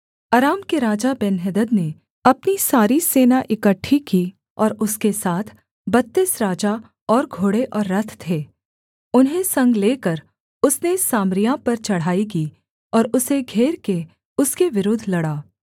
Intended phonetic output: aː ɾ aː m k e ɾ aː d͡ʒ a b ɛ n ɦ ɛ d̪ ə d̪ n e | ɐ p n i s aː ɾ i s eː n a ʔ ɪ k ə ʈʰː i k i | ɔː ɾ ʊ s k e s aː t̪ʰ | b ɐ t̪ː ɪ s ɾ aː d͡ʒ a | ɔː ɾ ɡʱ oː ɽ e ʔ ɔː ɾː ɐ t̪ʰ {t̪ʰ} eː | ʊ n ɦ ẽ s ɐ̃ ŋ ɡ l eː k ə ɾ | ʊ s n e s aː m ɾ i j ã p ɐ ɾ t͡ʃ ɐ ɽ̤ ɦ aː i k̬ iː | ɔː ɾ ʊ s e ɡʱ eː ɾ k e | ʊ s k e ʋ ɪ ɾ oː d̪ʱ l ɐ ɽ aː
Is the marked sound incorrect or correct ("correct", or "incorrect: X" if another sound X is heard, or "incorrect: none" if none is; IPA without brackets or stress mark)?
correct